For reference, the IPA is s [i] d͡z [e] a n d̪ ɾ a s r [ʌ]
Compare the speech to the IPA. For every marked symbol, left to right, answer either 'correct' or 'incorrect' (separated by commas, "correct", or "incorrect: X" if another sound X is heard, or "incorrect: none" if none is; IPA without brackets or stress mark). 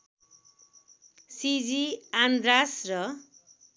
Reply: correct, incorrect: i, correct